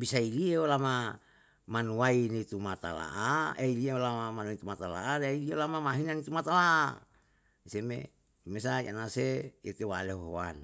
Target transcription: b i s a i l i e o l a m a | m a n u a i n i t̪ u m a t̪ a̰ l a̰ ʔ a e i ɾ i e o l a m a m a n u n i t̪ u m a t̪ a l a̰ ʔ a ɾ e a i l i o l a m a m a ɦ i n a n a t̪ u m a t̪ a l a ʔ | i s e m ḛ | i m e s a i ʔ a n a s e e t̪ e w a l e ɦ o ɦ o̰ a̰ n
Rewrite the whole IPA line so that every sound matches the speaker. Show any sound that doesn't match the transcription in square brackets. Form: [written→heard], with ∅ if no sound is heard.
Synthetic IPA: b i s a i l i e o l a m a | m a n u a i n i t̪ u m a t̪ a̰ l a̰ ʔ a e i [ɾ→l] i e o l a m a m a n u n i t̪ u m a t̪ a l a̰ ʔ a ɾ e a i l i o l a m a m a ɦ i n a n [a→i] t̪ u m a t̪ a l a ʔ | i s e m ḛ | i m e s a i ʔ a n a s e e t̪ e w a l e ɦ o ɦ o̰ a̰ n